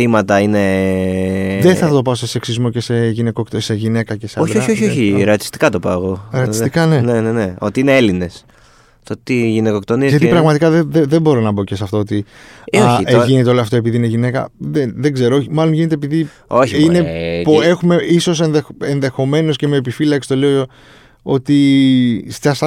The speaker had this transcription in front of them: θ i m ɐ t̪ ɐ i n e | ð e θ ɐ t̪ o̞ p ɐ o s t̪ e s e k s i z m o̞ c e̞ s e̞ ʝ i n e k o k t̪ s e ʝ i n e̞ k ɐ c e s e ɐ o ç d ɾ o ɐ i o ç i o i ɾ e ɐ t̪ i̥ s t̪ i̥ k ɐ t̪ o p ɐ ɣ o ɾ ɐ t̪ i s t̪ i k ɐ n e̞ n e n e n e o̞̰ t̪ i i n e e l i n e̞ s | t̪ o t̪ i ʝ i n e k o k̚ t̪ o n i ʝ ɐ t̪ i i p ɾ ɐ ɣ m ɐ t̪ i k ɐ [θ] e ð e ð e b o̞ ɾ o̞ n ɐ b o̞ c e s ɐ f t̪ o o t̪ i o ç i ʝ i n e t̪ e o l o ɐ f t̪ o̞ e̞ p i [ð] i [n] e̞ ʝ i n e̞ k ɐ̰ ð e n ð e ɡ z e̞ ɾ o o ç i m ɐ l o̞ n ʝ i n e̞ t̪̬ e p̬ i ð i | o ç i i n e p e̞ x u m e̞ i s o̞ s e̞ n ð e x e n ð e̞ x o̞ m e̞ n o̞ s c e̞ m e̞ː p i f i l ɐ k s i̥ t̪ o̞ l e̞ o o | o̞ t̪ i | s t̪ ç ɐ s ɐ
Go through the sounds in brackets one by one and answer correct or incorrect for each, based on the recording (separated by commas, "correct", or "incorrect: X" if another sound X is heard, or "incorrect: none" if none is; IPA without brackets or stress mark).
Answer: incorrect: ð, correct, correct